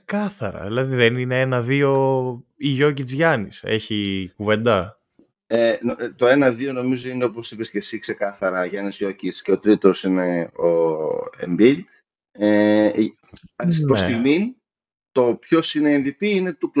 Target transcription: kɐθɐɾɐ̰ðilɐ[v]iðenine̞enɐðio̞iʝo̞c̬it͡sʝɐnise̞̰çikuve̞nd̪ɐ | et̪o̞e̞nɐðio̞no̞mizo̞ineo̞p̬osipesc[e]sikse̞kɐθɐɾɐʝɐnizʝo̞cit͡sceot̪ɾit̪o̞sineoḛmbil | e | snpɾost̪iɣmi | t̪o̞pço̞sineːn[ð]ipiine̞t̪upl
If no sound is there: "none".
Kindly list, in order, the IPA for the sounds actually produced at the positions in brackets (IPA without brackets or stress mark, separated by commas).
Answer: ð, e, ð